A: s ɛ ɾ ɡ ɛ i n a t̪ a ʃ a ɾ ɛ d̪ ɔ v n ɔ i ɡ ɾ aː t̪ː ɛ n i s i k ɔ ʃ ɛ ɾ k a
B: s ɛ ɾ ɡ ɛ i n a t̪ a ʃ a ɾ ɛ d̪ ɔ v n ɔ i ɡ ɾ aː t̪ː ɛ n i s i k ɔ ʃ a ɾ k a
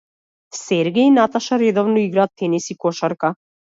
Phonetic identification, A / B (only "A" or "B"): B